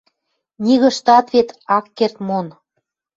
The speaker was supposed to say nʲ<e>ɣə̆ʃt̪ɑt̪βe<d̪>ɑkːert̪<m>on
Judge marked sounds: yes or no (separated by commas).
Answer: no, no, yes